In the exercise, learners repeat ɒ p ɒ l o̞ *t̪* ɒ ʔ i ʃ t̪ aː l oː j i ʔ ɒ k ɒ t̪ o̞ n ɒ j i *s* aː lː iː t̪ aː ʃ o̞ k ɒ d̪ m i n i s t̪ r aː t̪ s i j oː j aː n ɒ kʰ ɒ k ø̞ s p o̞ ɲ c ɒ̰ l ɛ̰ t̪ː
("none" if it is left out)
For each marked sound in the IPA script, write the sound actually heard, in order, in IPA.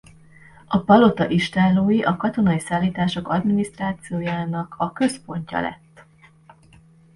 t̪, s

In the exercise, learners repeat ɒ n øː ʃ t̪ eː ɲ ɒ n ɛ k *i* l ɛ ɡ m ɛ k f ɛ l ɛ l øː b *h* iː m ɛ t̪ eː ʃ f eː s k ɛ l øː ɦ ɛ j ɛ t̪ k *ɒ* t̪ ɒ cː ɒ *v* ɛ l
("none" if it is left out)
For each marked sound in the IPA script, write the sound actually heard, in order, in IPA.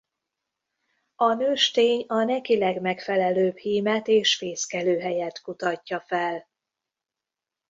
i, h, u, f

